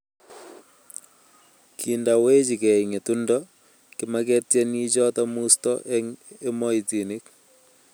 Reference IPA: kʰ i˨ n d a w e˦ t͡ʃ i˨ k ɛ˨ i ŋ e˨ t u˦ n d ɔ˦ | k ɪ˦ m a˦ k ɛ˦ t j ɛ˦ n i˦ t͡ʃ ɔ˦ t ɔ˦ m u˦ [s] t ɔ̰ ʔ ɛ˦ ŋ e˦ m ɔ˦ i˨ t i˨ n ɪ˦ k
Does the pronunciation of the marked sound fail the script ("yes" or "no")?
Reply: no